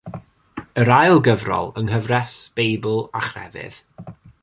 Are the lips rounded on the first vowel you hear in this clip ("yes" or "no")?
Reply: no